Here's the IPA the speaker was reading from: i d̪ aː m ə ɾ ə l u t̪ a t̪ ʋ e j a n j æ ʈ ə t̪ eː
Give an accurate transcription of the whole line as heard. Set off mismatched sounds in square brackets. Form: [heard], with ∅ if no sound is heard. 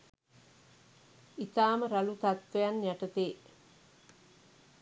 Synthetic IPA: i [t̪] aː m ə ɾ [a] l u t̪ a t̪ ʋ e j a n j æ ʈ ə t̪ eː